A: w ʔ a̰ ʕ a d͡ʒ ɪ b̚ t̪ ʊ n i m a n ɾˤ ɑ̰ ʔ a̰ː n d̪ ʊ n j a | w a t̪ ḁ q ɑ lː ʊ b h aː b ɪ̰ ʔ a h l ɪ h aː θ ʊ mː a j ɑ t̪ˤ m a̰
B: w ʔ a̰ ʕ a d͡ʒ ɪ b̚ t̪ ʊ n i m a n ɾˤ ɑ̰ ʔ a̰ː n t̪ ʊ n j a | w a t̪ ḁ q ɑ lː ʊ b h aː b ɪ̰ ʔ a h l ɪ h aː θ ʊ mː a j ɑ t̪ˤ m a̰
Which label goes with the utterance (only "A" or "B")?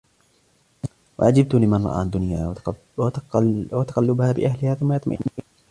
A